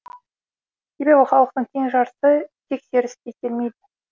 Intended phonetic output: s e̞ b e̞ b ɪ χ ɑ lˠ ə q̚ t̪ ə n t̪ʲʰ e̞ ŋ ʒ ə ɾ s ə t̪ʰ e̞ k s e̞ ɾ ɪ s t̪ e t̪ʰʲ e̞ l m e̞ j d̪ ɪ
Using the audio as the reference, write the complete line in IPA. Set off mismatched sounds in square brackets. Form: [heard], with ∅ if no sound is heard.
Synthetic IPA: s e̞ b e̞ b ɪ χ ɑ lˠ ə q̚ t̪ ə [ɴ] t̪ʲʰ e̞ ŋ ʒ [ɑ] ɾ s ə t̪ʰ e̞ k s e̞ ɾ ɪ s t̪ e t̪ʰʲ e̞ l m e̞ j d̪ ɪ